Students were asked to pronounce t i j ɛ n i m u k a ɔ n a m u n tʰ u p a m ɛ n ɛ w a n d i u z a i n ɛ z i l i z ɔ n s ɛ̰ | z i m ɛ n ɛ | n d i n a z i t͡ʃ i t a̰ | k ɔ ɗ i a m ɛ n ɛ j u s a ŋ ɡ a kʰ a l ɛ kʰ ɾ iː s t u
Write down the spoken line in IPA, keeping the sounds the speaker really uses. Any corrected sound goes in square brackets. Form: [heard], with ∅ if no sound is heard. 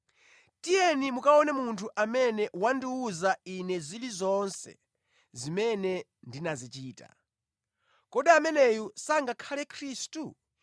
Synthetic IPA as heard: t i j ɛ n i m u k a ɔ n [ɛ] m u n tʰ u [ʔ] a m ɛ n ɛ w a n d i u z a i n ɛ z i l i z ɔ n s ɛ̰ | z i m ɛ n ɛ | n d i n a z i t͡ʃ [iː] t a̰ | k ɔ ɗ i a m ɛ n ɛ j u s a ŋ ɡ a kʰ a l ɛ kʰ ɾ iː s t u